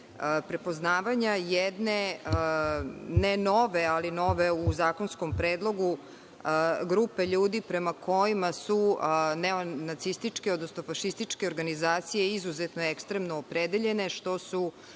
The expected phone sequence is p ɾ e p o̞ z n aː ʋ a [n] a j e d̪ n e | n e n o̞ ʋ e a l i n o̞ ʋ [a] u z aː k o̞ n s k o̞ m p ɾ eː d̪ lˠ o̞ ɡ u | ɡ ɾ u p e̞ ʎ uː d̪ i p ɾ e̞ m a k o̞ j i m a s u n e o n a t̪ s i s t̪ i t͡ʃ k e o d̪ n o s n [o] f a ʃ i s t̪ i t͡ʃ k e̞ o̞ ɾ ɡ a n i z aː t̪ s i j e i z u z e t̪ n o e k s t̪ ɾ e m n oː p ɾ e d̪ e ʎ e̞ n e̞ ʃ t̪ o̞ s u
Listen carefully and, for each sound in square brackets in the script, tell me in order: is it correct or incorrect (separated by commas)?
incorrect, incorrect, correct